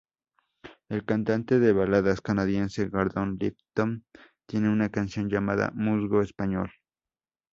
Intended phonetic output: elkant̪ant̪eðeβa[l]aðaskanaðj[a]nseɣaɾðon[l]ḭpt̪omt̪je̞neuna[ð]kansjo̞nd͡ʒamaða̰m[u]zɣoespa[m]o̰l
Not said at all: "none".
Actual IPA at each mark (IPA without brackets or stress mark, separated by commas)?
l, e, l, none, u, ɲ